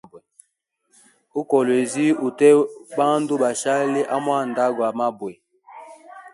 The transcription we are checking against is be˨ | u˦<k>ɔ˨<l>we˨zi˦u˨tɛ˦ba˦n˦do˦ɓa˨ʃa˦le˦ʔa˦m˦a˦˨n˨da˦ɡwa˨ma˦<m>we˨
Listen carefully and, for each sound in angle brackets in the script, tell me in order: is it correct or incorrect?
correct, correct, incorrect: b

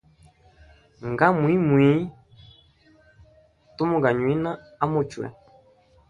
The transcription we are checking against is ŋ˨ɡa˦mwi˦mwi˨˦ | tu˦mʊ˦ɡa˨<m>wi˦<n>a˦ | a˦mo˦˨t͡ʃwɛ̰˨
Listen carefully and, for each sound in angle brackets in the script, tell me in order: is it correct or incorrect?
incorrect: ɲ, correct

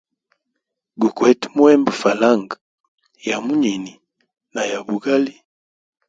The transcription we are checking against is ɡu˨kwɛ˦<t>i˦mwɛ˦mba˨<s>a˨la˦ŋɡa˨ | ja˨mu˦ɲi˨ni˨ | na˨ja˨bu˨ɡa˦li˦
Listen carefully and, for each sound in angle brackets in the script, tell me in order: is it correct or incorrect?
correct, incorrect: f

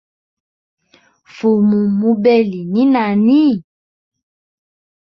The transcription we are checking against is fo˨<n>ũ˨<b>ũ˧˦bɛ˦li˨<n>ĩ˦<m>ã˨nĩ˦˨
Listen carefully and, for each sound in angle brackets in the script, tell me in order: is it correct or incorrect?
incorrect: m, incorrect: m, correct, incorrect: n

